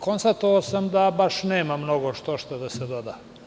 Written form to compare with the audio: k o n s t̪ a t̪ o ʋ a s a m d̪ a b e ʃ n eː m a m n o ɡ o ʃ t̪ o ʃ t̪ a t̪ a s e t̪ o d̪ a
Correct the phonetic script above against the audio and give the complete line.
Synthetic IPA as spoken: k o n s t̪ a t̪ o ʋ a s a m d̪ a b a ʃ n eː m a m n o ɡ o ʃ t̪ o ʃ t̪ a d̪ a s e d̪ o d̪ a